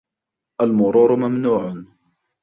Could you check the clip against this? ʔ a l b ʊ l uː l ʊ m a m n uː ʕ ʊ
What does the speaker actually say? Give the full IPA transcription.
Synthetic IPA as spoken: ʔ a l m ʊ ɾ uː ɾ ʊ m a m n uː ʕ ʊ